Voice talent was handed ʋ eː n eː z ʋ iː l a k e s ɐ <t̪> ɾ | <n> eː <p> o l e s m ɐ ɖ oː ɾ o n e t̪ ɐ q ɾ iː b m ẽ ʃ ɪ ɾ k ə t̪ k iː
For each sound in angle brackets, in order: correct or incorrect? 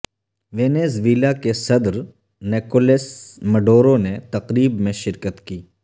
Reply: incorrect: d̪, correct, incorrect: k

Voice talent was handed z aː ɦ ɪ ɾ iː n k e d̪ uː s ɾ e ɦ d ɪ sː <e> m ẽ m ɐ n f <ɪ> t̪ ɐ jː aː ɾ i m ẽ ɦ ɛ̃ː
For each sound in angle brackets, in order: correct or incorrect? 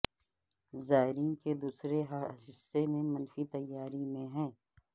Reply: correct, incorrect: i

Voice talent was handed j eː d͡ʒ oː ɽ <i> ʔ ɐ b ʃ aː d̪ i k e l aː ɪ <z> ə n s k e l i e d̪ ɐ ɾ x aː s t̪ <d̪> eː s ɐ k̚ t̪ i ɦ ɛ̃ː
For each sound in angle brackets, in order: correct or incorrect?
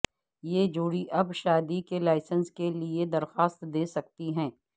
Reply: correct, incorrect: s, correct

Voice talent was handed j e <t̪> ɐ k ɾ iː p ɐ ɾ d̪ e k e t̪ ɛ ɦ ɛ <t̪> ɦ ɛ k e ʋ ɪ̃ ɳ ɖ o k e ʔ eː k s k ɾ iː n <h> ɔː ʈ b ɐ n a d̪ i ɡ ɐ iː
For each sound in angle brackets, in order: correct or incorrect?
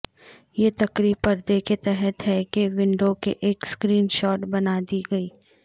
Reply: correct, correct, incorrect: ʃ

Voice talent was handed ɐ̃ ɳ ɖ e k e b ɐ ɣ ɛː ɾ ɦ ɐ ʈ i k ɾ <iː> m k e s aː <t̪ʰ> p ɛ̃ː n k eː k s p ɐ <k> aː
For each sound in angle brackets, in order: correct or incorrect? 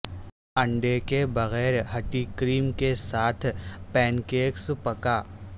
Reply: correct, correct, correct

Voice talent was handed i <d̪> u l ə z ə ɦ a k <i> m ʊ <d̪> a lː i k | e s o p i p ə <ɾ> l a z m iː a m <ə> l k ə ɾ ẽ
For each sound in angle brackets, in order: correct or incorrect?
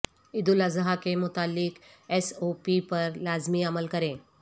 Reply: correct, incorrect: e, incorrect: t̪, correct, correct

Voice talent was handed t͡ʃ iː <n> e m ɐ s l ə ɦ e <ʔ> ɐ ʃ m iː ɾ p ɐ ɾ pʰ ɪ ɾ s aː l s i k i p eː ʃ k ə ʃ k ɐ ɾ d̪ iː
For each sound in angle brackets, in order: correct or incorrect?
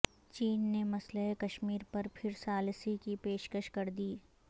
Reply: incorrect: nː, incorrect: k

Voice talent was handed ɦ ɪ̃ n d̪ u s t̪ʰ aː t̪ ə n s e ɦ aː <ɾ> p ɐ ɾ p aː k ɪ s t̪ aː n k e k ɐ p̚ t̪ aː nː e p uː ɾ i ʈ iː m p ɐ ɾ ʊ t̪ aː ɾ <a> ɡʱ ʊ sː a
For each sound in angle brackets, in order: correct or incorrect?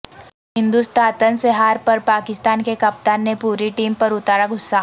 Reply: correct, correct

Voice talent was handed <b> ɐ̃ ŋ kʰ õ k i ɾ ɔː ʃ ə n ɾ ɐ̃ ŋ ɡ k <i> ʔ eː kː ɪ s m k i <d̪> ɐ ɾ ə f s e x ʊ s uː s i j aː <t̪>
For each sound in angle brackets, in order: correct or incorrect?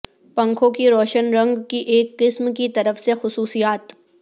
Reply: incorrect: p, correct, incorrect: t̪, correct

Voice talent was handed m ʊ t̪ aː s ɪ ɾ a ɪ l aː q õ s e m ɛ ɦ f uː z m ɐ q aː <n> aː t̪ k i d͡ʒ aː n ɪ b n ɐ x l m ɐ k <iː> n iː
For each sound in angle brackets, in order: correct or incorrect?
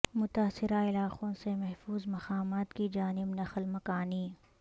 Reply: incorrect: m, incorrect: aː

